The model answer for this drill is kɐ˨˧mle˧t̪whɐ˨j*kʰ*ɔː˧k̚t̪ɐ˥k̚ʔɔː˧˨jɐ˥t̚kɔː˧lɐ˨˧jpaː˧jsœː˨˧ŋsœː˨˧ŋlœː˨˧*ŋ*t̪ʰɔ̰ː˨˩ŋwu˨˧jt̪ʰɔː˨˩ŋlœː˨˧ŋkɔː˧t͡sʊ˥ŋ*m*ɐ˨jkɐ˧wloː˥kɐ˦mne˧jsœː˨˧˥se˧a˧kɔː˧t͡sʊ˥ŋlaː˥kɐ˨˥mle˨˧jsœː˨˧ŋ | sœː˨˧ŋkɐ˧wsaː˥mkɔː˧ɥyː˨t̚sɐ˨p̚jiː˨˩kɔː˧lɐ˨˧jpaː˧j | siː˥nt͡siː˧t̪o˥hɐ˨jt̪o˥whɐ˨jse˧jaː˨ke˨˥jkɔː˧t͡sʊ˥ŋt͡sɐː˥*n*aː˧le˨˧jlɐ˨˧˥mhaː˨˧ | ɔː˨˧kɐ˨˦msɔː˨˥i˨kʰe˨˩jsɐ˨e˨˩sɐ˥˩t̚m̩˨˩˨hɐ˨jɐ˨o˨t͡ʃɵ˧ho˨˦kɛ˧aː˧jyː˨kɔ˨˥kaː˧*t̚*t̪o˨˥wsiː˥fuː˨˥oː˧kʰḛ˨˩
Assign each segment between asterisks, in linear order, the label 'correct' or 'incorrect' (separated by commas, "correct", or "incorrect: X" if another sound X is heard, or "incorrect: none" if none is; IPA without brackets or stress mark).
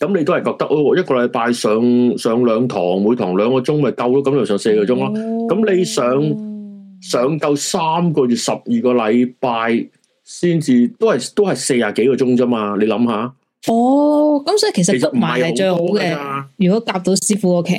incorrect: k, correct, correct, incorrect: m, incorrect: p̚